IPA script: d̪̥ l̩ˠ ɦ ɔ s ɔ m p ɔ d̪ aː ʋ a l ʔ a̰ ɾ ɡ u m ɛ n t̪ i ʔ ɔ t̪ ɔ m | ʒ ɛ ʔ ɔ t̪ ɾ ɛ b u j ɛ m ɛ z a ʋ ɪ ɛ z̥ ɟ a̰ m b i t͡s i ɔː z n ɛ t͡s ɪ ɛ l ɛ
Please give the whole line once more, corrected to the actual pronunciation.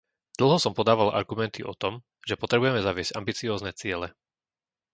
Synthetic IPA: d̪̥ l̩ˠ ɦ ɔ s ɔ m p ɔ d̪ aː ʋ a l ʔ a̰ ɾ ɡ u m ɛ n t̪ i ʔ ɔ t̪ ɔ m | ʒ ɛ p ɔ t̪ ɾ ɛ b u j ɛ m ɛ z a ʋ ɪ ɛ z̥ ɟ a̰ m b i t͡s i ɔː z n ɛ t͡s ɪ ɛ l ɛ